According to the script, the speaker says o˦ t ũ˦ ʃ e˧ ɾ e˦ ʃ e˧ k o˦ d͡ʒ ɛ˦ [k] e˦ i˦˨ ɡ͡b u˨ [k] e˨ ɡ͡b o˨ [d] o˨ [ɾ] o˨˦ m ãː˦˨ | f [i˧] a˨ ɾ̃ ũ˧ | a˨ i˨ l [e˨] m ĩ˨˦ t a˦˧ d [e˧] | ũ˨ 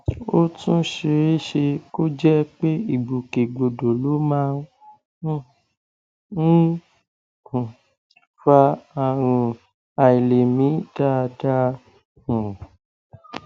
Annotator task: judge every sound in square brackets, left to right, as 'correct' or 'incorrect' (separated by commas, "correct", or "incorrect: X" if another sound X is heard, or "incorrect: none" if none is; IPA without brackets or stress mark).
incorrect: k͡p, correct, correct, incorrect: l, incorrect: a˧, correct, incorrect: a˧